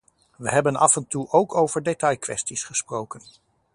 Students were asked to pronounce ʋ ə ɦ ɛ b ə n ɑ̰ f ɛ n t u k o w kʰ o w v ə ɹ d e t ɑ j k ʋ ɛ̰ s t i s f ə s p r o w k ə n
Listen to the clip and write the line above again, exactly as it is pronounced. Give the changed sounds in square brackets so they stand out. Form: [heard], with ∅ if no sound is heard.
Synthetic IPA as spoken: ʋ ə ɦ ɛ b ə n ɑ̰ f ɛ n t u [ʔ] o w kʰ o w v ə ɹ d e t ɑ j k ʋ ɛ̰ s t i s [χ] ə s p r o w k ə n